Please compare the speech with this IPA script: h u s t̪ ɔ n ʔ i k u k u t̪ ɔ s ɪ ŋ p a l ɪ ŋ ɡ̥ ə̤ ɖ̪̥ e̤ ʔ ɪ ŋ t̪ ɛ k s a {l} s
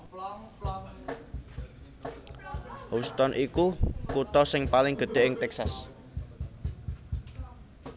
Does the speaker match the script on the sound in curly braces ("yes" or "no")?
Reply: no